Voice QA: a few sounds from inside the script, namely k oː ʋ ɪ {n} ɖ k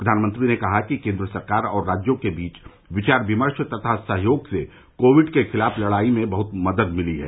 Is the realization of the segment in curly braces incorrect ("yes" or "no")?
yes